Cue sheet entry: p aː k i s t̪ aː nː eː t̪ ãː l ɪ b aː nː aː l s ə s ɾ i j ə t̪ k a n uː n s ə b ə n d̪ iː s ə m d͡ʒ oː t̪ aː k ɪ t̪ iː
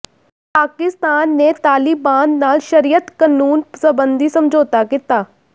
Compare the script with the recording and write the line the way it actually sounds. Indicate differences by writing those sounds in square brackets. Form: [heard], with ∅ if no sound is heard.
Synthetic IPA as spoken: p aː k [ɪ] s t̪ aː nː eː t̪ [aː] l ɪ b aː nː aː l [ʃ] ə [∅] ɾ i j ə t̪ k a n uː n s ə b ə n d̪ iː s ə m d͡ʒ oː t̪ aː k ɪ t̪ [aː]